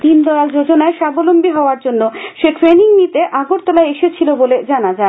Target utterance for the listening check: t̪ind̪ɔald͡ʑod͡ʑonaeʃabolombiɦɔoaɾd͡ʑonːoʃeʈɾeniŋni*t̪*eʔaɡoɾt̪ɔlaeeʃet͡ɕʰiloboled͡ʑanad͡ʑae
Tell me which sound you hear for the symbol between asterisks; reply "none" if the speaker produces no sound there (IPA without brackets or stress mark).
t̪